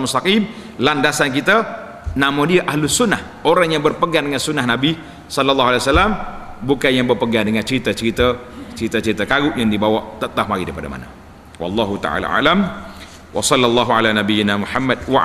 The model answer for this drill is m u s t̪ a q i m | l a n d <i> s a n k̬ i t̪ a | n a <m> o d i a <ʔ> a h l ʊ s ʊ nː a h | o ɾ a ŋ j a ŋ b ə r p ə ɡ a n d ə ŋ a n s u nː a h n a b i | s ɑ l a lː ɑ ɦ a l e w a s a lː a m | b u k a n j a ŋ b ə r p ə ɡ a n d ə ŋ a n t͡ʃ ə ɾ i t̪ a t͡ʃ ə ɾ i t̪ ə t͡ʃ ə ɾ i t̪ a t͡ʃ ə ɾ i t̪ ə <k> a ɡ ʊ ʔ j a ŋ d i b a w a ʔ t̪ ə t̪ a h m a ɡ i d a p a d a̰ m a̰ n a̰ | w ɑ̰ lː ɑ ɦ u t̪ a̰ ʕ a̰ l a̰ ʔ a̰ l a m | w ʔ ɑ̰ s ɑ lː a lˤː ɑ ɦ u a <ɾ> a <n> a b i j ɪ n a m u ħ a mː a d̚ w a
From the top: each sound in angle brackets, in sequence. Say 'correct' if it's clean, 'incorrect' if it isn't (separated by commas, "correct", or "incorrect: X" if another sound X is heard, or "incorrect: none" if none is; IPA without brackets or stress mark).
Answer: incorrect: a, correct, correct, correct, incorrect: l, correct